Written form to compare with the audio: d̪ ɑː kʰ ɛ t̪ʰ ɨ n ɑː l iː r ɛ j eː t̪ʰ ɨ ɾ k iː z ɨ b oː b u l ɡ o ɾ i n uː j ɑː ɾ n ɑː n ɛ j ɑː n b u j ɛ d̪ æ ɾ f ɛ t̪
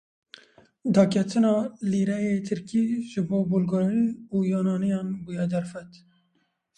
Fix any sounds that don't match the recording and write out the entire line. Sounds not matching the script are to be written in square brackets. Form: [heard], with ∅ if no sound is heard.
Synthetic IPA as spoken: d̪ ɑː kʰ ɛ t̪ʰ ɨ n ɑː l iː [ɾ] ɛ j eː t̪ʰ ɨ ɾ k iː [ʒ] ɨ b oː b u l ɡ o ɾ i n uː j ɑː [∅] n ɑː n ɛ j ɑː n b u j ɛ d̪ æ ɾ f ɛ t̪